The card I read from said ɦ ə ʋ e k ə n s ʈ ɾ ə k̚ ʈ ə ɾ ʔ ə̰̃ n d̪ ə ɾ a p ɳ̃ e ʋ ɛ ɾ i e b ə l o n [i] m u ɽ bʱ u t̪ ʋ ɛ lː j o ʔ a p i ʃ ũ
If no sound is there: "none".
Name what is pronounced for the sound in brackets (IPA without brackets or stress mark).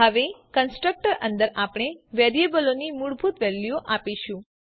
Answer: i